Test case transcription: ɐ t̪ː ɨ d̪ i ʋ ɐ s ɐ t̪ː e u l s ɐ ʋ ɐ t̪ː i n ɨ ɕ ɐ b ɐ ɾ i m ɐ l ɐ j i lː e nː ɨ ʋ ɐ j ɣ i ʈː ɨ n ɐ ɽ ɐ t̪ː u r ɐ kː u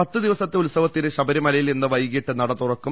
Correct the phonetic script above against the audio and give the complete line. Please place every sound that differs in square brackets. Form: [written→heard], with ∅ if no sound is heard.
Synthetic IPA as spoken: ɐ t̪ː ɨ d̪ i ʋ ɐ s ɐ t̪ː e u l s ɐ ʋ ɐ t̪ː i n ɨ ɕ ɐ b ɐ ɾ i m ɐ l ɐ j i [lː→l] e nː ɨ ʋ ɐ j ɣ i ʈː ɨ n ɐ ɽ ɐ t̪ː u r ɐ kː u